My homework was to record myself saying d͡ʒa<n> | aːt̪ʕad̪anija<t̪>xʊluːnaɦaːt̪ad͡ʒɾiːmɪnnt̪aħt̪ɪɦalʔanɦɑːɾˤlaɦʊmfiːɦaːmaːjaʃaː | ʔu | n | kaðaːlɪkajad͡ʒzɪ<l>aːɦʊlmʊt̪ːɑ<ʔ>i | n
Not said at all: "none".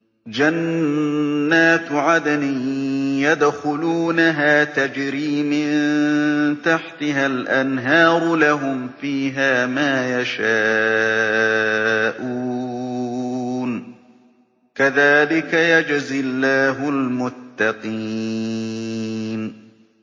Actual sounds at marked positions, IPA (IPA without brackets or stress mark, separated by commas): nː, d̪, lː, q